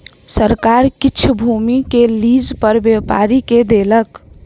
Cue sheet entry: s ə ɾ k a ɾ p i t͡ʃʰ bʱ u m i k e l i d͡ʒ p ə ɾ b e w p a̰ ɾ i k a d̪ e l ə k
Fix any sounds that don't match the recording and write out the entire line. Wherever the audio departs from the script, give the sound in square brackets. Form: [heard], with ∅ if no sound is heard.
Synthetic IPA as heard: s ə ɾ k a ɾ [k] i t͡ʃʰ bʱ u m i k e l i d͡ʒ p ə ɾ b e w p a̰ ɾ i k [e] d̪ e l ə k